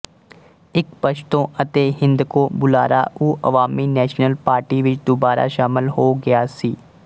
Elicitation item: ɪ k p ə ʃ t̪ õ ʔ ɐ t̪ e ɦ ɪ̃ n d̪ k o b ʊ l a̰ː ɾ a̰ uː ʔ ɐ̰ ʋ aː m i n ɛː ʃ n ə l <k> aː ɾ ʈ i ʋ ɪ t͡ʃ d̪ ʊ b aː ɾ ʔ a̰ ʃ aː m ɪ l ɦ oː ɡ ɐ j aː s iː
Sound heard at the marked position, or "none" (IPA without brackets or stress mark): p